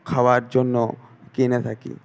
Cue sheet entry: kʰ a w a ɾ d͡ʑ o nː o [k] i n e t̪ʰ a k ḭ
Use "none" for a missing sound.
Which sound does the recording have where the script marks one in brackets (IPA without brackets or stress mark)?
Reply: k